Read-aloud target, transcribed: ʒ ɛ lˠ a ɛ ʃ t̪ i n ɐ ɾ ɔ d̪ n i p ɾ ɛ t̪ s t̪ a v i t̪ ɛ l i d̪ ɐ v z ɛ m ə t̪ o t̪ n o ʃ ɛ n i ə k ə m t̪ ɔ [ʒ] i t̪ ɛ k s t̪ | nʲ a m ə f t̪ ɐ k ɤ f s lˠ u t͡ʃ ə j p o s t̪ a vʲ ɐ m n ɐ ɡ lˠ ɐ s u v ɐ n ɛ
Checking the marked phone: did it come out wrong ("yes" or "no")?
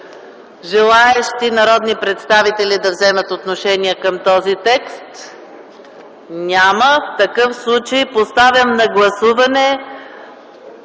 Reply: yes